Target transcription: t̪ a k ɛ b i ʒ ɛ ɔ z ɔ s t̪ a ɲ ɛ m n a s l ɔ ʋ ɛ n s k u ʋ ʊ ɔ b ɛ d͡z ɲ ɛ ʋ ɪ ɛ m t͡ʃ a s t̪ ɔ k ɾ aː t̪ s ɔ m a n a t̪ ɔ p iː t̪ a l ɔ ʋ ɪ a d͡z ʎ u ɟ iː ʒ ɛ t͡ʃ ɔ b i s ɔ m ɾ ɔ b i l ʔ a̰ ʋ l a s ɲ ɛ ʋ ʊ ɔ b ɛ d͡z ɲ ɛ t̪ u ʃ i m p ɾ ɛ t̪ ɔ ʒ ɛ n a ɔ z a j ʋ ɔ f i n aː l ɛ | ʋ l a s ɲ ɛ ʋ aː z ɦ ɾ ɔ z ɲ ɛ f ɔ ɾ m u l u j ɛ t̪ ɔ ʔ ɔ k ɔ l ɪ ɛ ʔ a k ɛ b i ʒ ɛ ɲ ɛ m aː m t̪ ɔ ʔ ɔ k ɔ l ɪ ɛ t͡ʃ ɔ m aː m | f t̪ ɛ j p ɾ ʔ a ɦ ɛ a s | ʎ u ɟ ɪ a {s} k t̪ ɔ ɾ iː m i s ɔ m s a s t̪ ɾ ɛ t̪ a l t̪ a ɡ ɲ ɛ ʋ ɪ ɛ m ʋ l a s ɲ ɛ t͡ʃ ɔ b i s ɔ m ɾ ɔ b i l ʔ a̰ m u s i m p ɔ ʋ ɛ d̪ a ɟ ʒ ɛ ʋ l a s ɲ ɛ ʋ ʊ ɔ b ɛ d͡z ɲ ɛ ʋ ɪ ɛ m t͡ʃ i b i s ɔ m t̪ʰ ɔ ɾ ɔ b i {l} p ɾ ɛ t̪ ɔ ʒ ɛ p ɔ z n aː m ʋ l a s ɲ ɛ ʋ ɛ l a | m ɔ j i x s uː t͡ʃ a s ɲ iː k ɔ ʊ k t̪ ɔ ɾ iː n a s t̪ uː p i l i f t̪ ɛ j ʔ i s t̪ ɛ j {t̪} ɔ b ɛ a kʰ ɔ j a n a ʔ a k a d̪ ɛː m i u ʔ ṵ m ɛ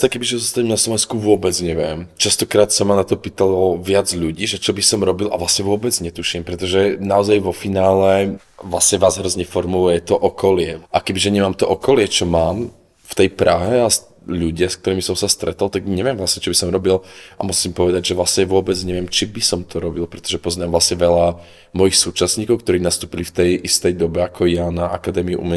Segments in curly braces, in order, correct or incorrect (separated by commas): correct, correct, incorrect